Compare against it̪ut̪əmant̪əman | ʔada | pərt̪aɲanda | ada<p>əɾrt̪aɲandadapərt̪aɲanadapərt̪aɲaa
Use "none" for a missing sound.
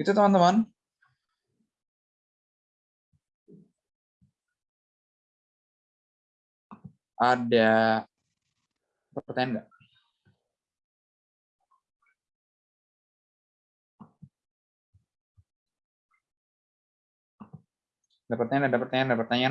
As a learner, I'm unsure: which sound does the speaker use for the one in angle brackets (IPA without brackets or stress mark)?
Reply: p